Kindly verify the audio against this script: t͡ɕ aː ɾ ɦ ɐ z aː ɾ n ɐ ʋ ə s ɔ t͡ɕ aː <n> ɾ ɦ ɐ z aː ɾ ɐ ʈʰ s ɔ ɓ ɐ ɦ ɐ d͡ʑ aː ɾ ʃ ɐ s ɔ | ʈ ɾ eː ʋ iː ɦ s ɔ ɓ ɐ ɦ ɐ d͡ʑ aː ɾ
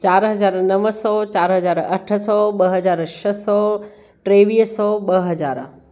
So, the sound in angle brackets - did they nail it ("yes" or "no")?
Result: no